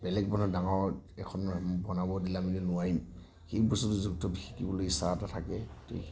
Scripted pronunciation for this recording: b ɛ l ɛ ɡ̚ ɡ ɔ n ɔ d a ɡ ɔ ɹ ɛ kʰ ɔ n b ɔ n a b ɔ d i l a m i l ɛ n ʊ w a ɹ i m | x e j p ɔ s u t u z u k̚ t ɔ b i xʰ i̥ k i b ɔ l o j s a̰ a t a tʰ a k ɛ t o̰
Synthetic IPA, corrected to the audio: b ɛ l ɛ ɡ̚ b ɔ n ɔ d a ŋ ɔ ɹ ɛ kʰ ɔ n b ɔ n a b ɔ d i l a m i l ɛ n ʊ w a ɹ i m | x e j b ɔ s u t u z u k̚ t ɔ b i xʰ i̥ k i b ɔ l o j s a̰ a t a tʰ a k ɛ t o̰